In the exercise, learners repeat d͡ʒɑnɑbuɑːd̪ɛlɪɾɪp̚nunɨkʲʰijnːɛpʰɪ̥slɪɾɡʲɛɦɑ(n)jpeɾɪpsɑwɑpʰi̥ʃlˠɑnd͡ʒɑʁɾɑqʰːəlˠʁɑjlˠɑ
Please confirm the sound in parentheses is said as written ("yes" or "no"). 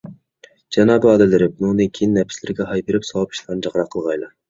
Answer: no